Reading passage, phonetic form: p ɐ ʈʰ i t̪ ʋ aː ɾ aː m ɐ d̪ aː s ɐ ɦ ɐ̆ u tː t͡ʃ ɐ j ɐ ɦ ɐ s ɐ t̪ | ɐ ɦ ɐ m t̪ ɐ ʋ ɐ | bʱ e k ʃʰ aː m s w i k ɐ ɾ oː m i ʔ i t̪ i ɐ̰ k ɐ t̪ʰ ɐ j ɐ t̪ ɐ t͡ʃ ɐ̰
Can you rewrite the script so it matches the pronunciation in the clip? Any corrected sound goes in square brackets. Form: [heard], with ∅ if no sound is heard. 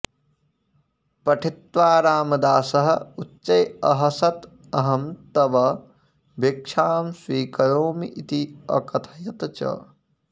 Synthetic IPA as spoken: p ɐ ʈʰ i t̪ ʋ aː ɾ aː m ɐ d̪ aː s ɐ ɦ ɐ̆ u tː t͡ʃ ɐ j ɐ ɦ ɐ s ɐ t̪ | ɐ ɦ ɐ m t̪ ɐ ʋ ɐ | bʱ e k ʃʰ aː m s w [iː] k ɐ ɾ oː m i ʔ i t̪ i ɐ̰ k ɐ t̪ʰ ɐ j ɐ t̪ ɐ t͡ʃ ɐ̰

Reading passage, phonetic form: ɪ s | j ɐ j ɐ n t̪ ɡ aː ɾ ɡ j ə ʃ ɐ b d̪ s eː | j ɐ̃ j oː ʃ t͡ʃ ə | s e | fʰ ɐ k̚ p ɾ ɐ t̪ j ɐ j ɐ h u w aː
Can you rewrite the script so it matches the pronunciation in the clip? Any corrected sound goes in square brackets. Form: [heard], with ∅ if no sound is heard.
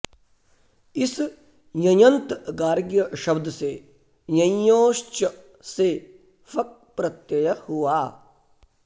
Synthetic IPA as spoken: ɪ s | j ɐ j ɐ n t̪ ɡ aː ɾ ɡ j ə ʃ ɐ b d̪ s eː | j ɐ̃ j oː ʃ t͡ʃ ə | s e | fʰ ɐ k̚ p ɾ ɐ t̪ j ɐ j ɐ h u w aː

